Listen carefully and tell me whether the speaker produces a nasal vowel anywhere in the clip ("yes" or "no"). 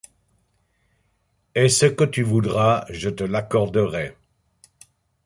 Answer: no